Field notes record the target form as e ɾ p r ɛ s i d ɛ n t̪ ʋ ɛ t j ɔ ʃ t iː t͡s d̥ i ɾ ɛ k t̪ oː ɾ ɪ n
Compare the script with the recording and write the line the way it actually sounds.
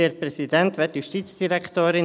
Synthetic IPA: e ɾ p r ɛ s i d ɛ n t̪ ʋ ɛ t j u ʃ t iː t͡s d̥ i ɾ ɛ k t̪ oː ɾ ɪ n